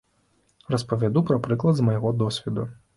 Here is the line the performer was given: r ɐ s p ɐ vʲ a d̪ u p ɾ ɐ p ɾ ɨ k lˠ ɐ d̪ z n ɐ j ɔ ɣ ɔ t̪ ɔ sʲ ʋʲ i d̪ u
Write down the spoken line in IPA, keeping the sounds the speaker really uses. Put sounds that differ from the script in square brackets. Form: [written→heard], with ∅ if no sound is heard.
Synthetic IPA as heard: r ɐ s p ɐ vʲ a d̪ u p ɾ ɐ p ɾ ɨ k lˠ ɐ d̪ z [n→m] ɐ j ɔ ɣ ɔ [t̪→d̪] ɔ sʲ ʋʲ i d̪ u